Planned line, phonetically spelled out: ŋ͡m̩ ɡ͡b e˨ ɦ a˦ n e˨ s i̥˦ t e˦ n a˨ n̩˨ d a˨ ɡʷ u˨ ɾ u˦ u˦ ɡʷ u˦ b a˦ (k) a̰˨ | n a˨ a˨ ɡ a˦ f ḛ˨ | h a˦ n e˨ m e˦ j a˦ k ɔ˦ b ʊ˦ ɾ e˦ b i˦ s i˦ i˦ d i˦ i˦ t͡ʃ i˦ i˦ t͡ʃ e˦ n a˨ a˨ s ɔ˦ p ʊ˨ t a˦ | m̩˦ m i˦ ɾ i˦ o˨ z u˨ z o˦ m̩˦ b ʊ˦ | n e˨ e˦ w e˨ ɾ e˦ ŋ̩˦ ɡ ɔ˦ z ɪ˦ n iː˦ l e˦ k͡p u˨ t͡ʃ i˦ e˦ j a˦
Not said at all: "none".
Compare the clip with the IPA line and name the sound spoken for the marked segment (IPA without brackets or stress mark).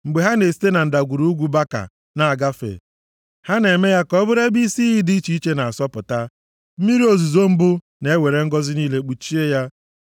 k